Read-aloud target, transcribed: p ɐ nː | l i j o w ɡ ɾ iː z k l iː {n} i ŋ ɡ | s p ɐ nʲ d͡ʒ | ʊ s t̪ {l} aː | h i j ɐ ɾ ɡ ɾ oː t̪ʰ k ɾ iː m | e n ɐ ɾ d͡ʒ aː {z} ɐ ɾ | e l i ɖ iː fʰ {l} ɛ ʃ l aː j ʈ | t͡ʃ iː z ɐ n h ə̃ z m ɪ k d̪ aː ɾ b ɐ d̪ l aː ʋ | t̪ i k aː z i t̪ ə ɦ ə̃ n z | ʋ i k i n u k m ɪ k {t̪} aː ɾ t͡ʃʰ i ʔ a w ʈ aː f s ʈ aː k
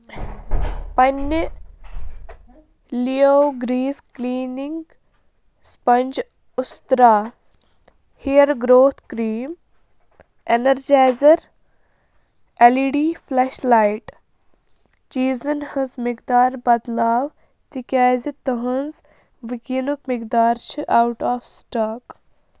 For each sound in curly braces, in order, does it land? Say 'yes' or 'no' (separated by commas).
yes, no, yes, yes, no